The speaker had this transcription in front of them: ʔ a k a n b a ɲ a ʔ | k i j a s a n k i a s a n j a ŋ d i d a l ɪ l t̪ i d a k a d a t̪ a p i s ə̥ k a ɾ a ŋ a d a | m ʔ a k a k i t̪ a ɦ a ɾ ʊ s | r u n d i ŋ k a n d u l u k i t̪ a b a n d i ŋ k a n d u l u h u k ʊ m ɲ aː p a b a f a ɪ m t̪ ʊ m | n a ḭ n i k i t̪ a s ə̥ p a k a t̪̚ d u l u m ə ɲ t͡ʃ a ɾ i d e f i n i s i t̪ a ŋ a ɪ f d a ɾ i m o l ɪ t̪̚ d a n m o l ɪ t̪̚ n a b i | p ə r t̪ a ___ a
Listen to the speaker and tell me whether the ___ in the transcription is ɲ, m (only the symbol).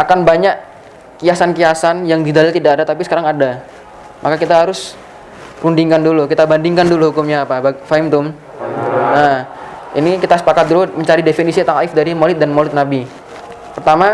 m